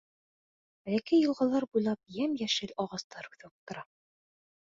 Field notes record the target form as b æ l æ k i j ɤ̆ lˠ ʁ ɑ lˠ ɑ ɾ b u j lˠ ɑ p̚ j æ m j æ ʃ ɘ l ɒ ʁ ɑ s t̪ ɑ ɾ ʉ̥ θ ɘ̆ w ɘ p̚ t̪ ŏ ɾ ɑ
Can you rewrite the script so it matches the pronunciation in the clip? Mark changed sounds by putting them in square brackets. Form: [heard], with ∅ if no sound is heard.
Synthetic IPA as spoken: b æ l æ k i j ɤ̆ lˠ ʁ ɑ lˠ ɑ ɾ b u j lˠ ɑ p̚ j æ m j æ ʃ ɘ l ɒ ʁ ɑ s t̪ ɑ ɾ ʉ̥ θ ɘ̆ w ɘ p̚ t̪ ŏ ɾ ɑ